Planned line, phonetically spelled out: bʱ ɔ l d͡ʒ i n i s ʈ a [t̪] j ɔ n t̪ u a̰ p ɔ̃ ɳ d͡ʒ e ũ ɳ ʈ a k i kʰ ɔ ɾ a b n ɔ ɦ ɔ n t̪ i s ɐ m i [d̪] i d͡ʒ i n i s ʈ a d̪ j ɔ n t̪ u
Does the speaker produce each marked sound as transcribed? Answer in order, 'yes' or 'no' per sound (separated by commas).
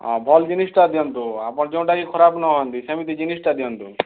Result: no, no